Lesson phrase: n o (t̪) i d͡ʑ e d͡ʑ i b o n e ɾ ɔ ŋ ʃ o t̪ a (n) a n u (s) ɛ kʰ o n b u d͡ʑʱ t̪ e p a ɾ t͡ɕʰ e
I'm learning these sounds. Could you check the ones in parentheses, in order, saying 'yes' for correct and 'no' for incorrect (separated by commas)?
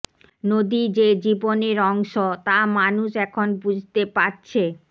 no, no, no